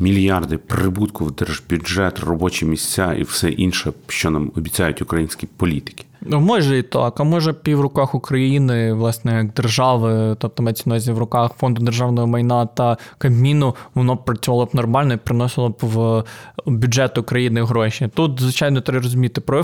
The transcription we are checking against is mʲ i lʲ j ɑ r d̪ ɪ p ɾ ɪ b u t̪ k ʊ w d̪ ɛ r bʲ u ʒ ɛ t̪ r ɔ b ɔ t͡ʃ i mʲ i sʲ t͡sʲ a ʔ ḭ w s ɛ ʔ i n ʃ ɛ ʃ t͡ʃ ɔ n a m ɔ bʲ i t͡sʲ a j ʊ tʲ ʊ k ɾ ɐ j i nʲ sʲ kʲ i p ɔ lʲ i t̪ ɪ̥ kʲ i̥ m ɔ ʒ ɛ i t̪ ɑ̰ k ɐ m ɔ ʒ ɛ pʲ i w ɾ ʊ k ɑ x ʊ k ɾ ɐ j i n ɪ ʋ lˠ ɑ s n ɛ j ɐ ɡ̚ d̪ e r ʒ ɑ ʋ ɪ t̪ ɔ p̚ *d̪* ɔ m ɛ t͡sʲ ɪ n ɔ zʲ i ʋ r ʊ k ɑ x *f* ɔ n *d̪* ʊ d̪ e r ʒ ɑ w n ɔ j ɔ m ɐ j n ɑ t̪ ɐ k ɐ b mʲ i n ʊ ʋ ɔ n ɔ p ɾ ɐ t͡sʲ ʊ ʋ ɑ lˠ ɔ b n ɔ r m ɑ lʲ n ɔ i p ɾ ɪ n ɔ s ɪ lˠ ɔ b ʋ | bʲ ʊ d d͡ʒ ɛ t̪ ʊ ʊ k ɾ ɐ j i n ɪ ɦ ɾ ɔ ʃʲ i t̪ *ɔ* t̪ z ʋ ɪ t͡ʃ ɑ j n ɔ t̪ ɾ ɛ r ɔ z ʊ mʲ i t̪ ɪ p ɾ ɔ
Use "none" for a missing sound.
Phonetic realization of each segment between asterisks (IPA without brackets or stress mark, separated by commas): t̪, f, d̪, u